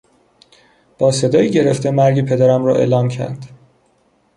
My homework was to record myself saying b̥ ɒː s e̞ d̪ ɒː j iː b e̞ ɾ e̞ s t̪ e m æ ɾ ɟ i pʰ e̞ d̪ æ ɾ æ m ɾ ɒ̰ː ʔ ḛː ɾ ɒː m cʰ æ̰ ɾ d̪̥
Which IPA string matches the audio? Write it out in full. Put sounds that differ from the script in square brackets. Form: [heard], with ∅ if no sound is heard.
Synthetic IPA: b̥ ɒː s e̞ d̪ ɒː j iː [ɟ] e̞ ɾ e̞ [f] t̪ e m æ ɾ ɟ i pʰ e̞ d̪ æ ɾ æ m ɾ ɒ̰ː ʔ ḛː [l] ɒː m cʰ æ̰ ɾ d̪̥